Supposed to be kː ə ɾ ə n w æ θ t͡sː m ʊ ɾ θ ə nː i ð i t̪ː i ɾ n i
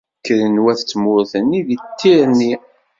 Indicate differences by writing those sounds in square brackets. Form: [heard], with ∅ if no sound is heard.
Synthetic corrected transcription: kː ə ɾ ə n w æ θ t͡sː m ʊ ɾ θ ə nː i ð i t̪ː i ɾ n i